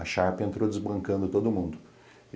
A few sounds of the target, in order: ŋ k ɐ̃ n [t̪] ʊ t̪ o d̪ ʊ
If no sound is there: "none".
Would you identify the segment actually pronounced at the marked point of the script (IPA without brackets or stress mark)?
d̪